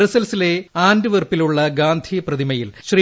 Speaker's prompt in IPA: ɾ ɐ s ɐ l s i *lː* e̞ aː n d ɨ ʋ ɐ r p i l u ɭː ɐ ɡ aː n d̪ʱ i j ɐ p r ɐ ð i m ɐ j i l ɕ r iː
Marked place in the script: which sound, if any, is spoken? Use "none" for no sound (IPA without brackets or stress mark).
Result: l